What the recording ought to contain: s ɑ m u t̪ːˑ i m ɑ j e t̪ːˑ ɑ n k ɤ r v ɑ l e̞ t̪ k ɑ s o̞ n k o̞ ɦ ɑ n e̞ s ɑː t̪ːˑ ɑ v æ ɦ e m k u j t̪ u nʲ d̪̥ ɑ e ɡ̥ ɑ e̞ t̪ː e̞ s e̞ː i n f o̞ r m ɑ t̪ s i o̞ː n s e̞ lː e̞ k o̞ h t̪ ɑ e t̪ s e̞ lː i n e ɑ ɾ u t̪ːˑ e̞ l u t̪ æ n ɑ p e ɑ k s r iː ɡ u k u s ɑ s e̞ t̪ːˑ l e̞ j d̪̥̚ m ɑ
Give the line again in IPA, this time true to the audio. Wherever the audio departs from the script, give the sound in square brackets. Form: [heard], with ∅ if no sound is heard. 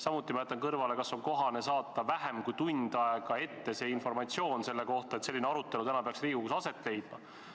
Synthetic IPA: s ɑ m u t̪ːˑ i m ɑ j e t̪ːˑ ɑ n k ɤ r v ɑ l e̞ [∅] k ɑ s o̞ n k o̞ ɦ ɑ n e̞ s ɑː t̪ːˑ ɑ v æ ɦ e m k u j t̪ u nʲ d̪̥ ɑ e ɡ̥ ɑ e̞ t̪ː e̞ s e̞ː i n f o̞ r m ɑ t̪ s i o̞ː n s e̞ lː e̞ k o̞ h t̪ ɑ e t̪ s e̞ lː i n e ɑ ɾ u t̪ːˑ e̞ l u t̪ æ n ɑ p e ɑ k s r iː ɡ u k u s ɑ s e̞ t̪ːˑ l e̞ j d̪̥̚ m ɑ